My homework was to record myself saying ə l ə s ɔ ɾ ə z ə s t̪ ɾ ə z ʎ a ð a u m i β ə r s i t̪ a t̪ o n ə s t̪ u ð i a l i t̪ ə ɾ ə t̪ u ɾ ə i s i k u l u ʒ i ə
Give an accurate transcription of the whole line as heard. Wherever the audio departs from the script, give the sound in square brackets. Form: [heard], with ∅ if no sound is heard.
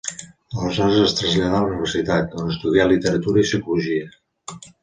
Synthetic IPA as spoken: ə l ə [z] ɔ ɾ ə z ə s t̪ ɾ ə z ʎ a ð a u [n] i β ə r s i t̪ a t̪ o n ə s t̪ u ð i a l i t̪ ə ɾ ə t̪ u ɾ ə i s i k u l u ʒ i ə